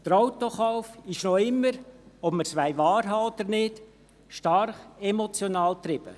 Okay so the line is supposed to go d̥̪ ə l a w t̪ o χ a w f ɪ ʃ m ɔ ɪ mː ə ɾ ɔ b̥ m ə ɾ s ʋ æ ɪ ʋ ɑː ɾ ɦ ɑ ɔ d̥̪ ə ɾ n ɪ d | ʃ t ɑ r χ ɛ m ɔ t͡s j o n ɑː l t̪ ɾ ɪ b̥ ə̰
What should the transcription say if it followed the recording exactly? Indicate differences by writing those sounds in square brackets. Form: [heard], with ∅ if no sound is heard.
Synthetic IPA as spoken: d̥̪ ə [ɾ] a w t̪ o χ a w f ɪ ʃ [n] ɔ ɪ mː ə ɾ ɔ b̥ m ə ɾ s ʋ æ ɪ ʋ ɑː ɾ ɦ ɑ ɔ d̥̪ ə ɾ n ɪ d | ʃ t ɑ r χ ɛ m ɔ t͡s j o n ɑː l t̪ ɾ ɪ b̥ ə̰